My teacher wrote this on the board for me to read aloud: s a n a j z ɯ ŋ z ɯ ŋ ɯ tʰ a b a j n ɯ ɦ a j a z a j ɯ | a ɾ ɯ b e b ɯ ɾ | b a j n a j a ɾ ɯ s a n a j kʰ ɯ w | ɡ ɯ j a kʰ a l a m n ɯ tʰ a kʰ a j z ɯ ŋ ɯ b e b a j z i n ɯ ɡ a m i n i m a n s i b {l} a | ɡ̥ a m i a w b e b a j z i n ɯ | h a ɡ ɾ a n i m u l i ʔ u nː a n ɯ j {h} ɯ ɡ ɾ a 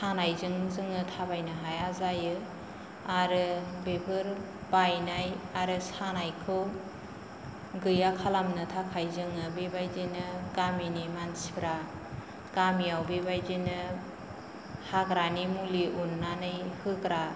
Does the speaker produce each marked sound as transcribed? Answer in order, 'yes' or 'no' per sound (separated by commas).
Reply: no, yes